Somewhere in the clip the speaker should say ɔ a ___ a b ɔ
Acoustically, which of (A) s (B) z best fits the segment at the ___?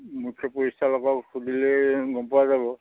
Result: B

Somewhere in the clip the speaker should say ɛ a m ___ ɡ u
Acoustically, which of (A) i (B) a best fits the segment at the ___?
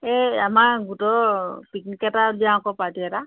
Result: B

